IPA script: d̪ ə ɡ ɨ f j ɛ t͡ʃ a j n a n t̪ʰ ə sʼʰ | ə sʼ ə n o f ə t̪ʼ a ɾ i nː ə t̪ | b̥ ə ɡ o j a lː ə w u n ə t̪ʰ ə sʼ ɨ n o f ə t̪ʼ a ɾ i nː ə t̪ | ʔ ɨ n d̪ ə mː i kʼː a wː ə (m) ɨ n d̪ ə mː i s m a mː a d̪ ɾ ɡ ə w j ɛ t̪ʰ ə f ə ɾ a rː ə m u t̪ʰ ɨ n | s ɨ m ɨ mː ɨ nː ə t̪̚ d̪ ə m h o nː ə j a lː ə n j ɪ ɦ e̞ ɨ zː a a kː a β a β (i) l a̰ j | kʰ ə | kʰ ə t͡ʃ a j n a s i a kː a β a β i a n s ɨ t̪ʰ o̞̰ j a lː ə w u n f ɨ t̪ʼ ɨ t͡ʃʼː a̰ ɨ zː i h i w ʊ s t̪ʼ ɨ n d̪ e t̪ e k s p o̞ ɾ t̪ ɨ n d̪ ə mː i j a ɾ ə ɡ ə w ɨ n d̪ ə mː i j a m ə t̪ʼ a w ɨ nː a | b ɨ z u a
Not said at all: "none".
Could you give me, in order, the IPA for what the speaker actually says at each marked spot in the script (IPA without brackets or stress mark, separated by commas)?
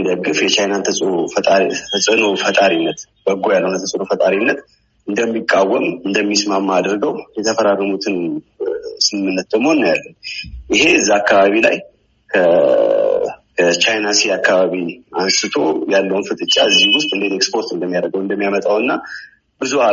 m, i